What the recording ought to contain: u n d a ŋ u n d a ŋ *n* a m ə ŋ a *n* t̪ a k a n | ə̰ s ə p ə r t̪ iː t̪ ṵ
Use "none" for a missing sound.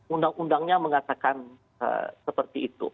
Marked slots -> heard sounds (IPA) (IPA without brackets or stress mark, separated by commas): ɲ, none